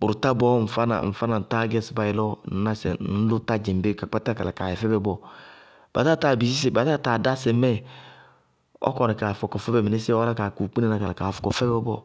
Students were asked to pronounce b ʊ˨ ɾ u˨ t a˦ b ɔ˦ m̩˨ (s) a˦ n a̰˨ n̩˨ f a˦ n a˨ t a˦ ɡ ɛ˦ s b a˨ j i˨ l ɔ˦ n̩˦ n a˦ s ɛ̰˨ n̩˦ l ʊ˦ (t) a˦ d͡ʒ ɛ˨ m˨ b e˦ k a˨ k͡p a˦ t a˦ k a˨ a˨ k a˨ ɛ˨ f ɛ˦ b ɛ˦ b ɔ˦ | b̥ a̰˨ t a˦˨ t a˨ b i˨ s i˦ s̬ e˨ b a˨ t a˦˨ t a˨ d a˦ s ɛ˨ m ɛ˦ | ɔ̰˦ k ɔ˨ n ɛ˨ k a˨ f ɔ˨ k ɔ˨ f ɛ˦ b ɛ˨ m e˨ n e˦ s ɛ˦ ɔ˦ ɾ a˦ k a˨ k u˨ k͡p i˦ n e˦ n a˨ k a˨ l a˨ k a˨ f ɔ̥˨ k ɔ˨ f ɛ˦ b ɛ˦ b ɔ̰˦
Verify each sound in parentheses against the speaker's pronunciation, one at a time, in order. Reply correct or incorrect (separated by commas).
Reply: incorrect, correct